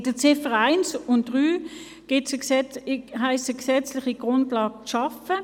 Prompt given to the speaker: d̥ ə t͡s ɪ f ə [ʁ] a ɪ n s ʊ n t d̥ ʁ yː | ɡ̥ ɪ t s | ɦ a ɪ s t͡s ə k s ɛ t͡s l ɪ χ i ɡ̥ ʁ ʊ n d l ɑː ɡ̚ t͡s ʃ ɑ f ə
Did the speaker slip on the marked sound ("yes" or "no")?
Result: no